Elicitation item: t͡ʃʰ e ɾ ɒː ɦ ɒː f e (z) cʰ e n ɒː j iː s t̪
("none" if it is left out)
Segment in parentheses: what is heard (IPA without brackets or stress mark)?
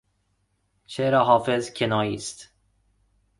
z